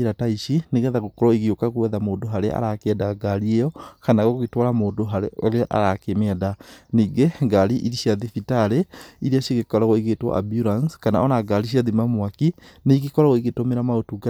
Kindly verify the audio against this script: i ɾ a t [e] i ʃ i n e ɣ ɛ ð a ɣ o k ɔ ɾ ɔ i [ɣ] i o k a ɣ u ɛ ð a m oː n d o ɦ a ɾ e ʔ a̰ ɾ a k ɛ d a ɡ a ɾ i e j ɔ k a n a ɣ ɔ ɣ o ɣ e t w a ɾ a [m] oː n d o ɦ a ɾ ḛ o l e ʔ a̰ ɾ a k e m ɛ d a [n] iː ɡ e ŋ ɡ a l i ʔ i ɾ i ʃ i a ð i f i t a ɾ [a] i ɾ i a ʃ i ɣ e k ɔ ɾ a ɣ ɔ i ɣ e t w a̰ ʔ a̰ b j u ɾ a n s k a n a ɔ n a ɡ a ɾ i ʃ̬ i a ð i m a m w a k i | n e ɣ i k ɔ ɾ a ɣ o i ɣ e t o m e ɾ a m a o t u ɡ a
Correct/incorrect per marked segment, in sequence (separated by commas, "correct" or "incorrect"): incorrect, correct, correct, correct, incorrect